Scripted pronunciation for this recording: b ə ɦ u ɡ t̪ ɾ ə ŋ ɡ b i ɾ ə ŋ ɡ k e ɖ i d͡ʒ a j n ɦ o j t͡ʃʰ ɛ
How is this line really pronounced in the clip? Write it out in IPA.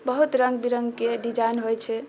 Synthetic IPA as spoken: b ə ɦ u t̪ ɾ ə ŋ ɡ b i ɾ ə ŋ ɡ k e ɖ i d͡ʒ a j n ɦ o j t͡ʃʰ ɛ